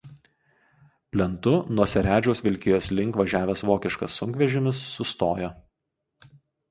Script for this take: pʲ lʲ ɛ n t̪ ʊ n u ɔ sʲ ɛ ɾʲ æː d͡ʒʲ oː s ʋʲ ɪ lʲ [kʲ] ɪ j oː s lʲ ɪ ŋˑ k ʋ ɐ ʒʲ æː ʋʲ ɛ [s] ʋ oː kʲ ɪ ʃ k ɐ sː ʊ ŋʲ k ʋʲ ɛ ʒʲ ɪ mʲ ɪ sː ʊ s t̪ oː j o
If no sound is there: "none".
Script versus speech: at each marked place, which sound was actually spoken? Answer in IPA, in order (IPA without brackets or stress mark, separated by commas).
kʲ, s